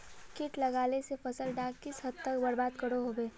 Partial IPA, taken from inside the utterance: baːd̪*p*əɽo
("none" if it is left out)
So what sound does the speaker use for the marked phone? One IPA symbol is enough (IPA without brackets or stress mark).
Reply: k